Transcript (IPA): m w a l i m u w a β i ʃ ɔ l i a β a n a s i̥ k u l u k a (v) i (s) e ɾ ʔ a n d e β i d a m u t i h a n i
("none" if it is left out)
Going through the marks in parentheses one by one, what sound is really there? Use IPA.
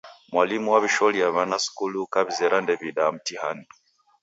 β, z

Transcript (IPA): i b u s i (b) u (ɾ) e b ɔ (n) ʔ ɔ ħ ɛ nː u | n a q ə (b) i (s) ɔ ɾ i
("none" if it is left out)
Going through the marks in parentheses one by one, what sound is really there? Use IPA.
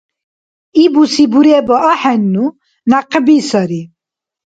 b, ɾ, none, b, s

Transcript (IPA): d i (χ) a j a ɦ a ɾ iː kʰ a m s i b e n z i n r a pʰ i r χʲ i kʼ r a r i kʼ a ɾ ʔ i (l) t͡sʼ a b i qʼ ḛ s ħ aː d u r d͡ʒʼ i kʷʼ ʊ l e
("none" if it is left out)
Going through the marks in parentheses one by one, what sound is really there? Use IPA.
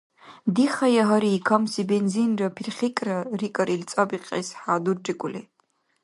χ, l

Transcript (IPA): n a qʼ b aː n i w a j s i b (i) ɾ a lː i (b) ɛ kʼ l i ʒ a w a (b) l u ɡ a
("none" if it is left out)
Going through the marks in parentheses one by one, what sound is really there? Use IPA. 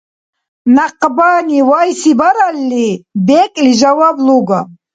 a, b, b

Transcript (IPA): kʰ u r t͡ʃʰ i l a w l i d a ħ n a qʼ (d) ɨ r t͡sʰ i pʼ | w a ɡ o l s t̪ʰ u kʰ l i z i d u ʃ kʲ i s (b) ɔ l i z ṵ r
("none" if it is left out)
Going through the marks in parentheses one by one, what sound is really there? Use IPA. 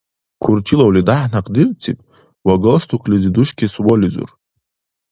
d, w

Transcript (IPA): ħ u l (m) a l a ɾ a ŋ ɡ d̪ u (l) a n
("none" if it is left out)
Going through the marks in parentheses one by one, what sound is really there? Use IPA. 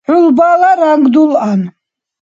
b, l

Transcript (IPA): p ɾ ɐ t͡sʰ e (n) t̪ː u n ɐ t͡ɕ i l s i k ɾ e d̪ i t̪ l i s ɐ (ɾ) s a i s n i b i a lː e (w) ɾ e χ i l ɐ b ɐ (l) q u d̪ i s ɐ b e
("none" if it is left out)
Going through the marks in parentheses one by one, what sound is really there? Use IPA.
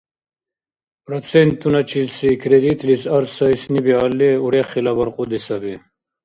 n, ɾ, u, ɾ

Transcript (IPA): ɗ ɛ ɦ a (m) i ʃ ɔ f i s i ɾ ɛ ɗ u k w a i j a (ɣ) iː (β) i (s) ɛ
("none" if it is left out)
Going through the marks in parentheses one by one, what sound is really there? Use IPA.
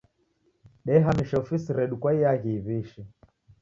m, ɣ, β, ʃ

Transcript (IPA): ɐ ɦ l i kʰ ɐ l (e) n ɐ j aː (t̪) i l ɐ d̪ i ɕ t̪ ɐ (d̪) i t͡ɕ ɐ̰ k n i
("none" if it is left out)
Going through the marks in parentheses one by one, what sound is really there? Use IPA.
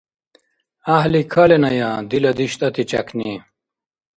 e, d̪, t̪

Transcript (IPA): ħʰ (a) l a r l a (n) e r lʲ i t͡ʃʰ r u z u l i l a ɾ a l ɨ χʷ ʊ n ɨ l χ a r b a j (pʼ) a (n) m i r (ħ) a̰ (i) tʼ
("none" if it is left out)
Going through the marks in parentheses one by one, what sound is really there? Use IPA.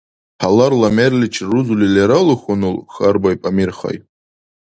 a, m, pʼ, none, χ, j

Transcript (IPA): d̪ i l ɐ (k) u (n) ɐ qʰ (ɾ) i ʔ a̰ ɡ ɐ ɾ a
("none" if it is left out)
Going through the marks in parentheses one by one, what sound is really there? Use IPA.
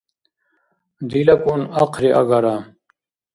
k, n, ɾ

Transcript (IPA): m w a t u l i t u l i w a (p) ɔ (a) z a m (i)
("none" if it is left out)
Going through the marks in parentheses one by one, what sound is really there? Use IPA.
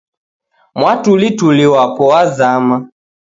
p, a, a

